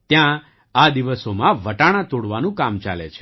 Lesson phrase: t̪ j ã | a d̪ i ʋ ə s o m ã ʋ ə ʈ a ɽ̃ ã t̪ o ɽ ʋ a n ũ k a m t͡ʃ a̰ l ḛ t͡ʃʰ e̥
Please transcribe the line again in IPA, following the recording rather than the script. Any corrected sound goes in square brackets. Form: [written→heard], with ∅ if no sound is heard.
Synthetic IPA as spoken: t̪ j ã | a d̪ i ʋ ə s o m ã ʋ ə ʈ a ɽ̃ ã t̪ o ɽ ʋ a n ũ k a m t͡ʃ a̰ l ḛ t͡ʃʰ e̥

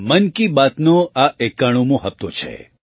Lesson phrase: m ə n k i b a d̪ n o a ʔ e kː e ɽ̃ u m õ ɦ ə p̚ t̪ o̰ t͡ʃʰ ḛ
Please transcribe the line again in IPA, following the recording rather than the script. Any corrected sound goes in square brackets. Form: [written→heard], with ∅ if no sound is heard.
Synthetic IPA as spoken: m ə n k i b a [d̪→t̪] n o a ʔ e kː [e→a] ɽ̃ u m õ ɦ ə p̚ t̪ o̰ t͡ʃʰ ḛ

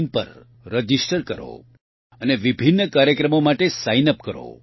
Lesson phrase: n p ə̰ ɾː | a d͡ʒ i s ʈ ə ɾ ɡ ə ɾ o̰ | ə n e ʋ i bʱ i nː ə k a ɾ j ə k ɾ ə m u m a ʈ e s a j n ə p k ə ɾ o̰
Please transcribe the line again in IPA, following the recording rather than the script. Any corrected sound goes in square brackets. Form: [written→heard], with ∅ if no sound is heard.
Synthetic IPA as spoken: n p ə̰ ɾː | [a→ə] d͡ʒ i s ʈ ə ɾ [ɡ→k] ə ɾ o̰ | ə n e ʋ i bʱ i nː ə k a ɾ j ə k ɾ ə m [u→o] m a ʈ e s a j n ə p k ə ɾ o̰

